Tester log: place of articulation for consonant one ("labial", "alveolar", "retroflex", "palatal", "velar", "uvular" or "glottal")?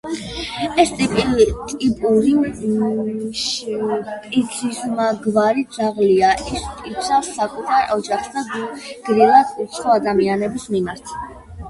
alveolar